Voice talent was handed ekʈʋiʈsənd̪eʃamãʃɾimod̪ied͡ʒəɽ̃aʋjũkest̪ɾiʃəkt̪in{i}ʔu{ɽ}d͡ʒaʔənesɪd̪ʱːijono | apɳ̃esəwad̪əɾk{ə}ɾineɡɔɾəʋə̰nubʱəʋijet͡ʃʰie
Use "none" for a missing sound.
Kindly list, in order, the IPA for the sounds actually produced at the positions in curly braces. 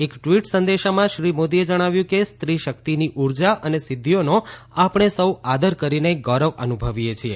i, ɾ, ə

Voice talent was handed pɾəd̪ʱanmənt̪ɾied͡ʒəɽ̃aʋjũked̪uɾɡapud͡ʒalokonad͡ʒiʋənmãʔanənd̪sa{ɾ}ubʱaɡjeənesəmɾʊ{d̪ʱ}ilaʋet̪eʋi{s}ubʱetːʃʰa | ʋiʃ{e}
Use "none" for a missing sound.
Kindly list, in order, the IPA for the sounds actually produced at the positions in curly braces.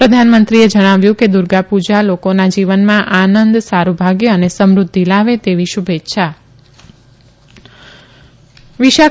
ɾ, d̪ʱː, ʃ, a

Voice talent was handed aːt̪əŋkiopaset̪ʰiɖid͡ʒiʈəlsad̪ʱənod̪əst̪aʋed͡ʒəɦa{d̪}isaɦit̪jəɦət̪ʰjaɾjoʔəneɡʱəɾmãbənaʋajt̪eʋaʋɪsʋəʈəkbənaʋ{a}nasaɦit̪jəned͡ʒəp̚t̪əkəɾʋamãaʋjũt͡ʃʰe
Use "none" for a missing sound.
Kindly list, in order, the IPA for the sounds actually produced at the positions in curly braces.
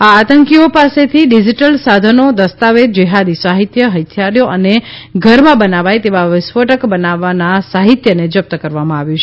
d̪, a

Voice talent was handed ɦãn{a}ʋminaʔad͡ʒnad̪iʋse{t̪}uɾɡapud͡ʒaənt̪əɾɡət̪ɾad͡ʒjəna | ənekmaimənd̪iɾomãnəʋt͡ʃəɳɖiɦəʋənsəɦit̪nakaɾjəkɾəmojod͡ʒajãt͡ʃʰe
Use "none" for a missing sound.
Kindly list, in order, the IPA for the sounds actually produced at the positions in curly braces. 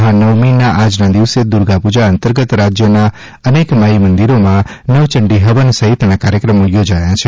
ə, d̪

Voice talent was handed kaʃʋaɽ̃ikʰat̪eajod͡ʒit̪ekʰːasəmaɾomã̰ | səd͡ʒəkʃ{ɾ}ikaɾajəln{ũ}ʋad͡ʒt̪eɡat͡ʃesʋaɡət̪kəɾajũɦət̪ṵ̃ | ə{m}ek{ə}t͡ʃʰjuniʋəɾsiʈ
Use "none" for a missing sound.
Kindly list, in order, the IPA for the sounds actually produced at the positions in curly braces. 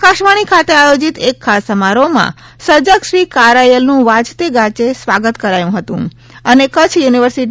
ɾ, ũ, n, ə

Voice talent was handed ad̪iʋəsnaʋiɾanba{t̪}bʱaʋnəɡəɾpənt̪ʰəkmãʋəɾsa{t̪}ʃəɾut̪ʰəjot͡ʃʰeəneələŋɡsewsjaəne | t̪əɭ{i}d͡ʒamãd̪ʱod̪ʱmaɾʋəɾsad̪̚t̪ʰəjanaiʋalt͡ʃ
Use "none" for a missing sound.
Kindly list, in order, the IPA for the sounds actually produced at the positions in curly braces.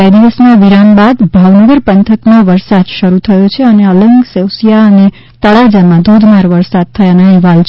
d̪, d̪, a

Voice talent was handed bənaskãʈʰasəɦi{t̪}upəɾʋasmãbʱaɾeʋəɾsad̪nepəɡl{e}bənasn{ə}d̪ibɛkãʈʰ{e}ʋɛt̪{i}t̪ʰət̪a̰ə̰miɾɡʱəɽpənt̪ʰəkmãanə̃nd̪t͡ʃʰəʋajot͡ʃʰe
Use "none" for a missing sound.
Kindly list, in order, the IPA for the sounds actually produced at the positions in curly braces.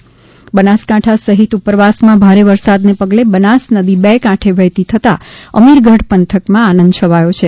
t̪, e, ə, e, i

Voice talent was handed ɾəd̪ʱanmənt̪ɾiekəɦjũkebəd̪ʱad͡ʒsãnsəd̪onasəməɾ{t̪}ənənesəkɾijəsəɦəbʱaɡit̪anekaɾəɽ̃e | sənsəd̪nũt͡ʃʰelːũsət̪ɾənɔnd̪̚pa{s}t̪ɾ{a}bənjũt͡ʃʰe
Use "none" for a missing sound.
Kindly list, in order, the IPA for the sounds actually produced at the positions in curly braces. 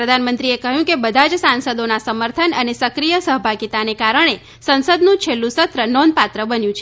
t̪ʰ, none, ə

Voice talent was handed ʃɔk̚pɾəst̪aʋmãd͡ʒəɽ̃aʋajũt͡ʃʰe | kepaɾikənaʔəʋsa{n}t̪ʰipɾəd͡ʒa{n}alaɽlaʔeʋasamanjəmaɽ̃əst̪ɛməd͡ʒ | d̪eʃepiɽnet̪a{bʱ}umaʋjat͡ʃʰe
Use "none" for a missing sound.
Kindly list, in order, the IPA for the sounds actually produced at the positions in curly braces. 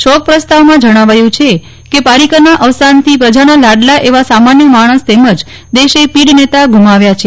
n, n, ɡʱ

